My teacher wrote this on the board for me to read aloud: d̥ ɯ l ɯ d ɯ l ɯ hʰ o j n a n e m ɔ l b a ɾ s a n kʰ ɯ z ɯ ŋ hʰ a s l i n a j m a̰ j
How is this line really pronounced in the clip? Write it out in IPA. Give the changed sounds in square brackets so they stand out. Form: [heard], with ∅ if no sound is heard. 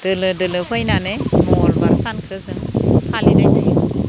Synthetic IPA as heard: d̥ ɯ l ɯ d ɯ l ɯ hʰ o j n a n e m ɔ l b a ɾ s a n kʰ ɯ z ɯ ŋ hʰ a [∅] l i n a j [n] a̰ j